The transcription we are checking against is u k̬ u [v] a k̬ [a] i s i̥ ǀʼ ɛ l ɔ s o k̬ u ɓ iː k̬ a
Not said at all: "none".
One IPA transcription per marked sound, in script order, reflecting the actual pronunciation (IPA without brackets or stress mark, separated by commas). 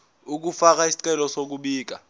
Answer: f, a